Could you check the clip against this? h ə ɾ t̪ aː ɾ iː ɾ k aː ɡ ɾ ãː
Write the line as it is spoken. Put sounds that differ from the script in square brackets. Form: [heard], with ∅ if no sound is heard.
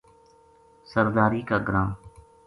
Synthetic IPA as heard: [s] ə ɾ [d̪] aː ɾ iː [∅] k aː ɡ ɾ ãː